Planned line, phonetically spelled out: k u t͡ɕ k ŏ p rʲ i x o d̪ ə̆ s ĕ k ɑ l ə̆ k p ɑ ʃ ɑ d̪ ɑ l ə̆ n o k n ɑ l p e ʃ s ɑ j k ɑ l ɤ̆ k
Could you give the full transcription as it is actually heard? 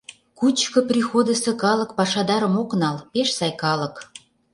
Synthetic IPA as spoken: k u t͡ɕ k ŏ p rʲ i x o d̪ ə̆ s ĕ k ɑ l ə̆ k p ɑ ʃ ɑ d̪ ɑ ɾ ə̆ m o k n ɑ l p e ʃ s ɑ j k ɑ l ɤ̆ k